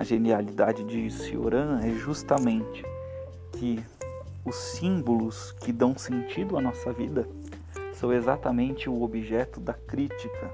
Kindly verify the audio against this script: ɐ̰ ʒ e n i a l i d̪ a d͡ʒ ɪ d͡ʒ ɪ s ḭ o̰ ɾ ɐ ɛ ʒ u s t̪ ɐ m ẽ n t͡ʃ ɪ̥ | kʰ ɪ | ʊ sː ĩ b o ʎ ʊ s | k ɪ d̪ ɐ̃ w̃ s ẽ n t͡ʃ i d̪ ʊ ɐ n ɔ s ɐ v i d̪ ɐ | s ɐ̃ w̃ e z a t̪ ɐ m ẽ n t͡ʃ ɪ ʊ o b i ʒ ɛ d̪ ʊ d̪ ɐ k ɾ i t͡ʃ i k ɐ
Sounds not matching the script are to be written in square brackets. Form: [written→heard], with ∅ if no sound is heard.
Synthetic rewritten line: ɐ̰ ʒ e n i a l i d̪ a d͡ʒ ɪ d͡ʒ ɪ s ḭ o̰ ɾ [ɐ→ɐ̃] ɛ ʒ u s t̪ ɐ m ẽ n t͡ʃ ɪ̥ | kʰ ɪ | ʊ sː ĩ b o [ʎ→l] ʊ s | k ɪ d̪ ɐ̃ w̃ s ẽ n t͡ʃ i d̪ ʊ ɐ n ɔ s ɐ v i d̪ ɐ | s ɐ̃ w̃ e z a t̪ ɐ m ẽ n t͡ʃ ɪ ʊ o b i ʒ ɛ [d̪→t̪] ʊ d̪ ɐ k ɾ i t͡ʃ i k ɐ